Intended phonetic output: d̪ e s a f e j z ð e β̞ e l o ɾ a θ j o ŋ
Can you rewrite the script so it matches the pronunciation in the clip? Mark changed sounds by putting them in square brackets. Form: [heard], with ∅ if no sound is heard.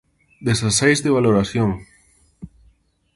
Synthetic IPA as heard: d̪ e s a [s] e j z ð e β̞ [a] l o ɾ a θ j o ŋ